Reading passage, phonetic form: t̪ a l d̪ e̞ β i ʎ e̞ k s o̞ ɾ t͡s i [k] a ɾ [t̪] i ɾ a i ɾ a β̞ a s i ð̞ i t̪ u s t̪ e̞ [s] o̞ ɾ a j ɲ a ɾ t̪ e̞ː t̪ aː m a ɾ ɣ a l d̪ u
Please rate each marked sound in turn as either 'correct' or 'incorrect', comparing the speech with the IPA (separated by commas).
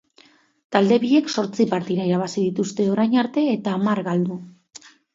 incorrect, correct, incorrect